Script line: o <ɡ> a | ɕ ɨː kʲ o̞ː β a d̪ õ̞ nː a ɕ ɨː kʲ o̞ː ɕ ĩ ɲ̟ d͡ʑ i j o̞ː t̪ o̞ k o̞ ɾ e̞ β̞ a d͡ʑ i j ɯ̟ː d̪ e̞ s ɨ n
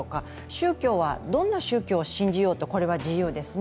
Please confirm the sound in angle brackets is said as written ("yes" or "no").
no